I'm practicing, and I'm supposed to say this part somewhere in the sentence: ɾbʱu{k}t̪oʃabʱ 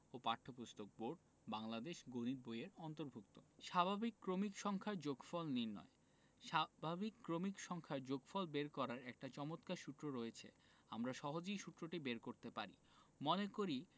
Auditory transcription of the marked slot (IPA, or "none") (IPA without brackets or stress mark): k